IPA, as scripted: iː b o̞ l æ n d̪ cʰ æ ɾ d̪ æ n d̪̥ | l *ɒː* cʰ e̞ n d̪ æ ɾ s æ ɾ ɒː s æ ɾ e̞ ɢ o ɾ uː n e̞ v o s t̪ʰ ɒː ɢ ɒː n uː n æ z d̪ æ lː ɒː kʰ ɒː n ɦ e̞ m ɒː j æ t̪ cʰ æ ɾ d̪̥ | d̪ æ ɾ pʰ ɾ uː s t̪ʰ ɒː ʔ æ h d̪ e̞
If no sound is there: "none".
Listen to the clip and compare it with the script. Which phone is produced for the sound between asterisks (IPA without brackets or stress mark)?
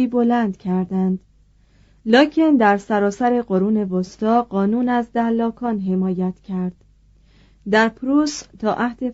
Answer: ɒː